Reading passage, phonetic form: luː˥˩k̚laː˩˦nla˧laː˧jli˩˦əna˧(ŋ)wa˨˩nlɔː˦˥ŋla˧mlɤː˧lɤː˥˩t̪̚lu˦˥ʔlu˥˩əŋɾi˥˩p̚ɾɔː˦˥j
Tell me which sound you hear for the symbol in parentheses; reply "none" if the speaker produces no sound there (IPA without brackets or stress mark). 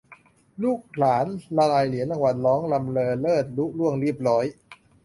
ŋ